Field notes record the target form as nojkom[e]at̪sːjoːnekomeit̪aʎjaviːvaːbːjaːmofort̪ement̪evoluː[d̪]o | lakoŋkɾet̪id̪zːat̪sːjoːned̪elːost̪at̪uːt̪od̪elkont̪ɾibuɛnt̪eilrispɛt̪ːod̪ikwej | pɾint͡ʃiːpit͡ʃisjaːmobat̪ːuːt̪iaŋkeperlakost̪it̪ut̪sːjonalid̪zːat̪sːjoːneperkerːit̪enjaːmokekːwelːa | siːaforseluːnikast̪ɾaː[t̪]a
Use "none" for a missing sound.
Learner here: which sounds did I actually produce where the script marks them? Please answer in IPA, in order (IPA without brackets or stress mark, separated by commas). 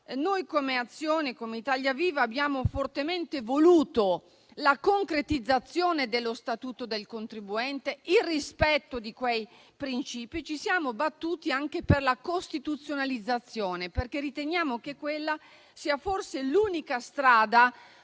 e, t̪, d̪